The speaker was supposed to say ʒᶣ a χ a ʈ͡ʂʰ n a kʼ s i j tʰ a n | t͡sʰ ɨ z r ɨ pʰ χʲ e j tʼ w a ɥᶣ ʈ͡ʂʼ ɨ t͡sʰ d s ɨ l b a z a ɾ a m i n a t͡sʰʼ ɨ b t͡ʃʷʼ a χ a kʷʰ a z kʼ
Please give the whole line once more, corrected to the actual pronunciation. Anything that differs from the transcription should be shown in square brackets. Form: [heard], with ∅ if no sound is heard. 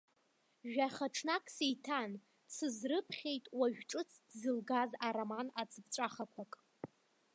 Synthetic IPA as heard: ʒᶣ a χ a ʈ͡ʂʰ n a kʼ s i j tʰ a n | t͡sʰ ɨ z r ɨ pʰ χʲ e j tʼ w a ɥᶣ ʈ͡ʂʼ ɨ t͡sʰ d [z] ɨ l [ɡ] a z a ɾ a m [a] n a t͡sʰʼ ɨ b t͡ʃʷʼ a χ a kʷʰ a [∅] kʼ